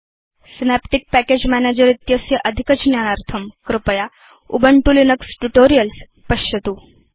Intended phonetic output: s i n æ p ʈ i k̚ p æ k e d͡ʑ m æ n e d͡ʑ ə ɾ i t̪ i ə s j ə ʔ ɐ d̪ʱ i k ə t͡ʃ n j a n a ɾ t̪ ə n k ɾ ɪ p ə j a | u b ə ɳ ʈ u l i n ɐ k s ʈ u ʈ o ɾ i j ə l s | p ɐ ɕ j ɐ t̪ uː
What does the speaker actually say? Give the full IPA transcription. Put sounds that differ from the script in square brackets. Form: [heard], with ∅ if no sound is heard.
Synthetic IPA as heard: s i n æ p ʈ i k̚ p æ k e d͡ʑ m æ n e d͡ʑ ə ɾ i t̪ [j] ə s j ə ʔ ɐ d̪ʱ i k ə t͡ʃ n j a n a ɾ [t̪ʰ] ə [m] k ɾ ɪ p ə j a | u b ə ɳ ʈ u l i n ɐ k s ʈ u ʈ o ɾ i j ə l s | p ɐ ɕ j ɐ t̪ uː